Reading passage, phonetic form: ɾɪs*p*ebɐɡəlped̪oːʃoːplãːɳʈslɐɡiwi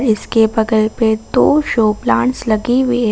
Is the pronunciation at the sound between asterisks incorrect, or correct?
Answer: incorrect